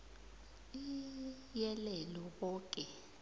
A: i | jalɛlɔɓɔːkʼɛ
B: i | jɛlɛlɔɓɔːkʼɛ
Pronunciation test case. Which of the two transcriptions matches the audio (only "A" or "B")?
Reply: B